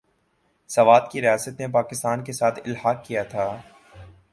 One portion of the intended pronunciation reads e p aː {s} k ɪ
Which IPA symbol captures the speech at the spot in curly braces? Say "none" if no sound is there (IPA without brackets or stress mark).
none